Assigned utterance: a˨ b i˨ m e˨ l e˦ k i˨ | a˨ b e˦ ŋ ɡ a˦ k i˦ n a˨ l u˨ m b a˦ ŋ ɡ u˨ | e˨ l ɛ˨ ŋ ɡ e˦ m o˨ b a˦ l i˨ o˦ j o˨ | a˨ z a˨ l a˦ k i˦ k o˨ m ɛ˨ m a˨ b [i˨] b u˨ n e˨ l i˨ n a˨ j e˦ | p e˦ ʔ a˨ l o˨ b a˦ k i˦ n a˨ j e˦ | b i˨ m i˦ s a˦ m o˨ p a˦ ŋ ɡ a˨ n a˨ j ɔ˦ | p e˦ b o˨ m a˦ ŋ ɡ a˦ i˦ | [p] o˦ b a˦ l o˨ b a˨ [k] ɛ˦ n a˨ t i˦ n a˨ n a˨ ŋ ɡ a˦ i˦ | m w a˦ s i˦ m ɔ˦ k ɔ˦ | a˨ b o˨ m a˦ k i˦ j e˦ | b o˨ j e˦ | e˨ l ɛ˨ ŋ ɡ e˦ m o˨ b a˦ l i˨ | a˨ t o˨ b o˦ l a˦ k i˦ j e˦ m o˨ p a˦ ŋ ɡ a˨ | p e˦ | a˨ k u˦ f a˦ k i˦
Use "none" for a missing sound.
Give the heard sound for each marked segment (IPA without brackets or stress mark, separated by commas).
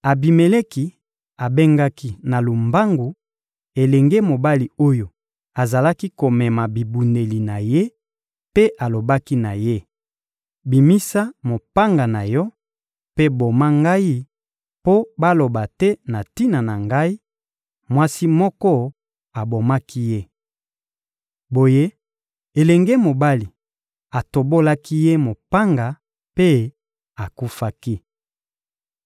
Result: i˨, p, t